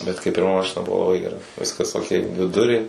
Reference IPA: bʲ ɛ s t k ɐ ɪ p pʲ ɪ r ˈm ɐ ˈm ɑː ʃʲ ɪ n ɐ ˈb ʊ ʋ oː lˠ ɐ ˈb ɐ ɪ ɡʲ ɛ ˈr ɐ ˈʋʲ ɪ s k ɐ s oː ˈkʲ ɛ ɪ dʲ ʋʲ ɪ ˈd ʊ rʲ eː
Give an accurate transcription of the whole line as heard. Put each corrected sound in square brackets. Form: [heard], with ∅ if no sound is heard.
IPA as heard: bʲ ɛ [∅] t k ɐ ɪ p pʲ ɪ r ˈm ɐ ˈm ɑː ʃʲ ɪ n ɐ ˈb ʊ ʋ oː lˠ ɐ ˈb ɐ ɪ ɡʲ ɛ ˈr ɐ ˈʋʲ ɪ s k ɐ s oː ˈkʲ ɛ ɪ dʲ ʋʲ ɪ ˈd ʊ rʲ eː